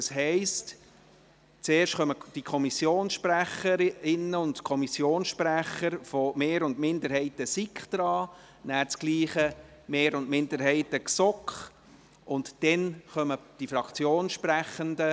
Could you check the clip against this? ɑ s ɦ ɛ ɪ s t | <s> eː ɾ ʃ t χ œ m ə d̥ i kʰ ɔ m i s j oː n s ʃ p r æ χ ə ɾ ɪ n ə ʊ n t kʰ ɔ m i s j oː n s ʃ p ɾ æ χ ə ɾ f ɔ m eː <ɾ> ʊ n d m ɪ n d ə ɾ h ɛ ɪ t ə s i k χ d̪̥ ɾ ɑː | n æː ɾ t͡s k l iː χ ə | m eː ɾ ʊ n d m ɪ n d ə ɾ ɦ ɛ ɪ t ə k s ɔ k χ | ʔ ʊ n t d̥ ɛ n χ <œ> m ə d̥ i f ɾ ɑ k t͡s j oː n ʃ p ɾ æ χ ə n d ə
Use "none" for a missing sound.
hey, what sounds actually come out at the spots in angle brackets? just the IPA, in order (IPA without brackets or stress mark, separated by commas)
t͡s, ɾ, œ